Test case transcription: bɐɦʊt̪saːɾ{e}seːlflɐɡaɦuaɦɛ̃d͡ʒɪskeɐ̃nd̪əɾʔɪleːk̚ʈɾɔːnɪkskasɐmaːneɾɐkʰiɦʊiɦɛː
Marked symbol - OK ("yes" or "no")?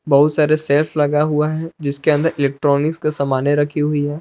yes